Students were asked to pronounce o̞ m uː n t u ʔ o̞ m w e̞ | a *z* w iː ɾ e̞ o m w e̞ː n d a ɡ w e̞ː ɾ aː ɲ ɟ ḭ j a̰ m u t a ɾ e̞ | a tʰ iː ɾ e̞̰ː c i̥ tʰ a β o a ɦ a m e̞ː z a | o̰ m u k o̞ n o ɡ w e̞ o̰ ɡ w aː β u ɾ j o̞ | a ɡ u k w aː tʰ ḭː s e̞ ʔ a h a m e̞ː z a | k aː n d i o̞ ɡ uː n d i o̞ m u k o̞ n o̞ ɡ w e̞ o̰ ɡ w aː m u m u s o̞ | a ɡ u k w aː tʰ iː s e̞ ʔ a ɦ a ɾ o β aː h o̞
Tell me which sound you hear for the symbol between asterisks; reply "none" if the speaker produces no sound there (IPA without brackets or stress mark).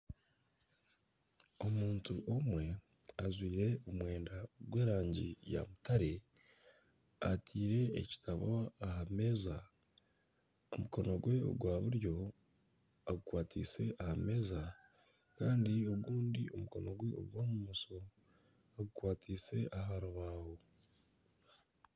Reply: z